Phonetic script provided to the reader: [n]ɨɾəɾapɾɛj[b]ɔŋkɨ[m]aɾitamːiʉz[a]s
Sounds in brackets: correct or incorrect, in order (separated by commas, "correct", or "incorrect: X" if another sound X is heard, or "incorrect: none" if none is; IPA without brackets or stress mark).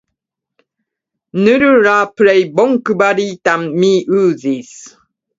correct, correct, incorrect: b, incorrect: i